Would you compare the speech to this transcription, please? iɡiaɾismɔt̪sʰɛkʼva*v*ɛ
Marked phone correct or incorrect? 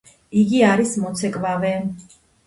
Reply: correct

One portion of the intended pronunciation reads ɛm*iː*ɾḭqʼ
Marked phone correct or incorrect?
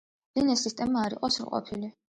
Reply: incorrect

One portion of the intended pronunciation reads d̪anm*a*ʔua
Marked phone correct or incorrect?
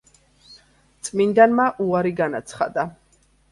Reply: correct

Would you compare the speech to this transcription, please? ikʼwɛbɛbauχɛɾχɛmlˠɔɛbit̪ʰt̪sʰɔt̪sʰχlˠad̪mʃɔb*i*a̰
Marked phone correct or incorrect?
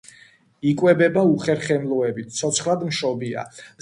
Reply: correct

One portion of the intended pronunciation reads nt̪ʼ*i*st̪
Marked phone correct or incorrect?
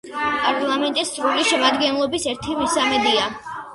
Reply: correct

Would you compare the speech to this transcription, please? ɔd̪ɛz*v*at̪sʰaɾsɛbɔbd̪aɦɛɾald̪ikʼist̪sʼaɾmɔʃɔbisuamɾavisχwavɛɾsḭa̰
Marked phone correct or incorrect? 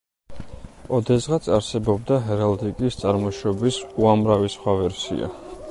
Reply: incorrect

